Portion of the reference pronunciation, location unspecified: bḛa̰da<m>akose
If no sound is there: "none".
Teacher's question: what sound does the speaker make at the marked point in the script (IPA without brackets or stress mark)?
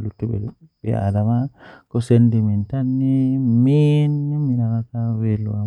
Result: m